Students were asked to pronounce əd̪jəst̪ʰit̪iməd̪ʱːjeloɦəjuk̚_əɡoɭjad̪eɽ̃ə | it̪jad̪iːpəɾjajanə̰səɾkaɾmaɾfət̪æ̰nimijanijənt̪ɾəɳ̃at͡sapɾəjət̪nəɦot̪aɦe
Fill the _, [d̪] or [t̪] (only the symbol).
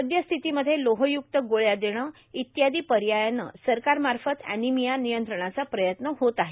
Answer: t̪